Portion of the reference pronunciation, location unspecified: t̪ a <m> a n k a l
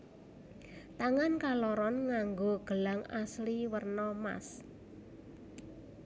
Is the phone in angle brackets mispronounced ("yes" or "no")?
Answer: yes